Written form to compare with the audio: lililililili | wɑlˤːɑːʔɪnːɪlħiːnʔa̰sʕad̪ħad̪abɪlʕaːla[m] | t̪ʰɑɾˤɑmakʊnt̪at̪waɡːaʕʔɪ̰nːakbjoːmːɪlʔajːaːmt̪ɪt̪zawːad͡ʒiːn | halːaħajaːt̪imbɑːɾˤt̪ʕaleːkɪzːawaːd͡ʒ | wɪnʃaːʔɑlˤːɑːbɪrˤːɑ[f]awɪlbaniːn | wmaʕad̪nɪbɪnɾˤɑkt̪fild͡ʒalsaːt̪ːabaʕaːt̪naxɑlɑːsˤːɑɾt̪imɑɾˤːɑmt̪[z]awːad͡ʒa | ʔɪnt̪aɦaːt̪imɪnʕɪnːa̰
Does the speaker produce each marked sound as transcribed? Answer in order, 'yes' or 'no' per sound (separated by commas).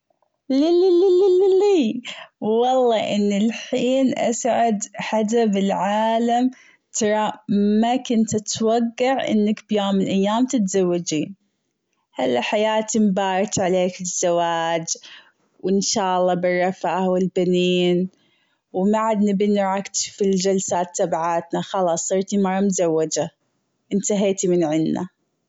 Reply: yes, yes, yes